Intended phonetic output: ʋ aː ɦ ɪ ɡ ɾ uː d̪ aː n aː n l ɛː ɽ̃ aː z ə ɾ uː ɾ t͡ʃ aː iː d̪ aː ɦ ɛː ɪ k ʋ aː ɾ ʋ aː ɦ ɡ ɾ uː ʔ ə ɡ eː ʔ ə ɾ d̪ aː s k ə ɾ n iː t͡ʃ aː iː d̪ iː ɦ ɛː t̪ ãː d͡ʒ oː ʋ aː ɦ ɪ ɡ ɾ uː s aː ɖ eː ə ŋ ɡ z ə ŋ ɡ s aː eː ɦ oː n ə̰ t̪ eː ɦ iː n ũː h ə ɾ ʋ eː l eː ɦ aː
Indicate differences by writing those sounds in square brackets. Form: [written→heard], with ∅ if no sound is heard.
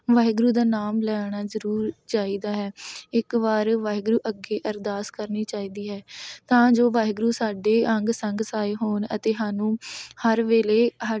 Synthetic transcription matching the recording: ʋ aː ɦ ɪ ɡ ɾ uː d̪ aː n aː [n→m] l ɛː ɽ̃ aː z ə ɾ uː ɾ t͡ʃ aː iː d̪ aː ɦ ɛː ɪ k ʋ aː ɾ ʋ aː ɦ ɡ ɾ uː ʔ ə ɡ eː ʔ ə ɾ d̪ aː s k ə ɾ n iː t͡ʃ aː iː d̪ iː ɦ ɛː t̪ ãː d͡ʒ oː ʋ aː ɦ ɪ ɡ ɾ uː s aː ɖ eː ə ŋ ɡ [z→s] ə ŋ ɡ s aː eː ɦ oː n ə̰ t̪ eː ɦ [iː→aː] n ũː h ə ɾ ʋ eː l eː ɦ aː